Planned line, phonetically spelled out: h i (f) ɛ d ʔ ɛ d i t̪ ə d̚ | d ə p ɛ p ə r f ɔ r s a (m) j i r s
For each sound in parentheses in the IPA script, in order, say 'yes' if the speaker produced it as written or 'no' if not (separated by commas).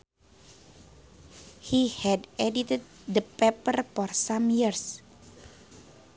no, yes